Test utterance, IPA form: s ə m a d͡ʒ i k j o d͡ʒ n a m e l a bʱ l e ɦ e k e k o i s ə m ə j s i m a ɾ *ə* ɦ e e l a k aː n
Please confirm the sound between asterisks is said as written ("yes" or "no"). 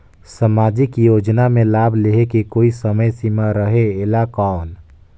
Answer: yes